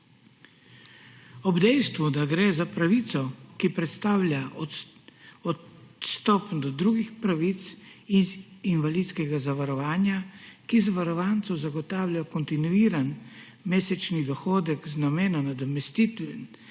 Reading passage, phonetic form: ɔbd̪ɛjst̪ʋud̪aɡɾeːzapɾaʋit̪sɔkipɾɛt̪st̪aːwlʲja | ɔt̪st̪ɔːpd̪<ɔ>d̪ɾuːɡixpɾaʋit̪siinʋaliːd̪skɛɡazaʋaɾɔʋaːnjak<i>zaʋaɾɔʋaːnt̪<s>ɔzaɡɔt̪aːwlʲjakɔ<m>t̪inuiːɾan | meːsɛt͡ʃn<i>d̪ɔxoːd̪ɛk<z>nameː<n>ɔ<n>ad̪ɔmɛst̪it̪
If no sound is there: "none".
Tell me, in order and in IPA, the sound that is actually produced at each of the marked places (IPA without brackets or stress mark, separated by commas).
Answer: ɔ, i, s, n, i, z, n, n